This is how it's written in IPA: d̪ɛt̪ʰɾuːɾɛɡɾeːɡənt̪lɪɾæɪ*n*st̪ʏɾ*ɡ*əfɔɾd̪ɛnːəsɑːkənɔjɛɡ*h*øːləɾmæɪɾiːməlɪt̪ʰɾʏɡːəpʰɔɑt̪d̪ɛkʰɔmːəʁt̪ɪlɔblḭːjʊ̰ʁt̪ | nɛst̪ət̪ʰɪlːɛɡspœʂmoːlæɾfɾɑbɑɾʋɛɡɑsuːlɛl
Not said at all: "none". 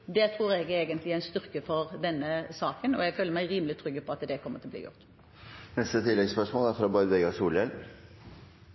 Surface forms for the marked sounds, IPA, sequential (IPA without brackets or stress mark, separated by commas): n, k, f